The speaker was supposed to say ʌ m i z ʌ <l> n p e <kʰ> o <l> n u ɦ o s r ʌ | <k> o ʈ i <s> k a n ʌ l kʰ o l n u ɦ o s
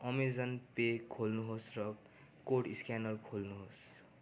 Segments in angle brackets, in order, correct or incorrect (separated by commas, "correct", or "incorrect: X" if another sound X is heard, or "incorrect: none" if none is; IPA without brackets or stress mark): incorrect: none, correct, correct, correct, correct